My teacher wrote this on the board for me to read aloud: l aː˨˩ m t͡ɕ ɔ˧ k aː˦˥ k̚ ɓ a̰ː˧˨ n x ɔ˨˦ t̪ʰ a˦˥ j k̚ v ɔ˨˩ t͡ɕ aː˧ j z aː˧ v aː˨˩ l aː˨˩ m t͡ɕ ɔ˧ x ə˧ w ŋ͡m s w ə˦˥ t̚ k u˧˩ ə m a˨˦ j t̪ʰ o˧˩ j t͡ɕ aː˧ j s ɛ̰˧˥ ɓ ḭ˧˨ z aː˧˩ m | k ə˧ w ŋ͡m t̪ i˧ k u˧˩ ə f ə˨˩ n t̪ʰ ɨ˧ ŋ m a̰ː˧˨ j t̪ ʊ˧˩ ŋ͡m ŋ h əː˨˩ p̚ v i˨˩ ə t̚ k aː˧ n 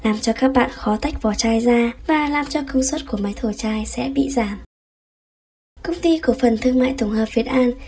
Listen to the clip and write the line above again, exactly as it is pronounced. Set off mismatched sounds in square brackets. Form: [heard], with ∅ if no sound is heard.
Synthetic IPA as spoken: l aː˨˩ m t͡ɕ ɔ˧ k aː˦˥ k̚ ɓ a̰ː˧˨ n x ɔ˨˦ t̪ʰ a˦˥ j k̚ v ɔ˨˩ t͡ɕ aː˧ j z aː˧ v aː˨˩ l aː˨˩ m t͡ɕ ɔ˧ [k] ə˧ w ŋ͡m s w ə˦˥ t̚ k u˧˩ ə m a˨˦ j t̪ʰ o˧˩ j t͡ɕ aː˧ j s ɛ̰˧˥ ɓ ḭ˧˨ z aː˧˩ m | k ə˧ w ŋ͡m t̪ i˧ k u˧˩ ə f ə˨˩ n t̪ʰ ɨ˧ ŋ m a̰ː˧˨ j t̪ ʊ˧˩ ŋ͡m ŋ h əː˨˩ p̚ v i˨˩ ə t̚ [ʔ] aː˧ n

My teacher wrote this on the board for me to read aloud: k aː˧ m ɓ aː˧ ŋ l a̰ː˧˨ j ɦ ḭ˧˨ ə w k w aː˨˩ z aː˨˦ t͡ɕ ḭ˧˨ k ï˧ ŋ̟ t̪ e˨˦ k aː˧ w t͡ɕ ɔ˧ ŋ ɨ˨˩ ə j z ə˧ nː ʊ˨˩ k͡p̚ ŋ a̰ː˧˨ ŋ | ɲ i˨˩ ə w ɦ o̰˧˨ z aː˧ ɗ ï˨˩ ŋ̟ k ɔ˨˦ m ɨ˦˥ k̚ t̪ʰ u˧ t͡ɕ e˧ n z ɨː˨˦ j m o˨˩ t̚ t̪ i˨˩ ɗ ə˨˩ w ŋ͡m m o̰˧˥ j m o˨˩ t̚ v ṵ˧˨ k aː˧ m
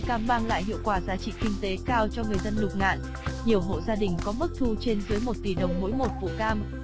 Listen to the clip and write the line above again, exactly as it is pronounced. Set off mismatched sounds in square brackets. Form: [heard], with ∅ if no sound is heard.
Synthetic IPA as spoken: k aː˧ m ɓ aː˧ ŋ l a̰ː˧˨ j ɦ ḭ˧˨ ə w k w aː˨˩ z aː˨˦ t͡ɕ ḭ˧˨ k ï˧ ŋ̟ t̪ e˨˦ k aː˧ w t͡ɕ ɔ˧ ŋ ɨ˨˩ ə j z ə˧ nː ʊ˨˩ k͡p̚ ŋ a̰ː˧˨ [n] | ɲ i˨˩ ə w ɦ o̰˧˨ z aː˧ ɗ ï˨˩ ŋ̟ k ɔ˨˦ m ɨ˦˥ k̚ t̪ʰ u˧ t͡ɕ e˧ n z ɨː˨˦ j m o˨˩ t̚ t̪ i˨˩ ɗ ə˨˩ w ŋ͡m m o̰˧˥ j m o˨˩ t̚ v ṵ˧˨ k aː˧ m

